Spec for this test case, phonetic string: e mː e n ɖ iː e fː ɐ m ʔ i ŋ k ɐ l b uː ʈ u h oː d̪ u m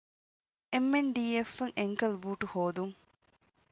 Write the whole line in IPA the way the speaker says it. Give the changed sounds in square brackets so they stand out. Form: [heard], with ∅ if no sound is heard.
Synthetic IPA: e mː e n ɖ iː e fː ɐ [ŋ] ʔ [e] ŋ k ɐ l b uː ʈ u h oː d̪ u [ŋ]